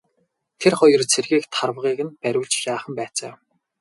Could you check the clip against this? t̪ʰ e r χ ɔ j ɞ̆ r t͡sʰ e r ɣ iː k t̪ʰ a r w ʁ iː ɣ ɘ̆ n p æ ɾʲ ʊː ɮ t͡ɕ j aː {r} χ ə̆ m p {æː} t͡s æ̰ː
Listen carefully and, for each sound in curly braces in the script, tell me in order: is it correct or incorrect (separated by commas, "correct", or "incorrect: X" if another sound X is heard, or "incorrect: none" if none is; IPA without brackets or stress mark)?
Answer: incorrect: none, correct